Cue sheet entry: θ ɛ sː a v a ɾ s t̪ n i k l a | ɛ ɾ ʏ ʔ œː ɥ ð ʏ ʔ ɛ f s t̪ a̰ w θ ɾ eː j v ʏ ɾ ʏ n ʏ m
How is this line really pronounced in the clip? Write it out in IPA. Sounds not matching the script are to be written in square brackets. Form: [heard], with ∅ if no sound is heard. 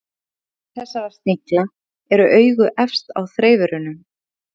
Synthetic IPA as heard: θ ɛ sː a v a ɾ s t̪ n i k l a | ɛ ɾ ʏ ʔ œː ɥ [ɣ] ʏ ʔ ɛ f s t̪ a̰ w θ ɾ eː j v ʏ ɾ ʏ n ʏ m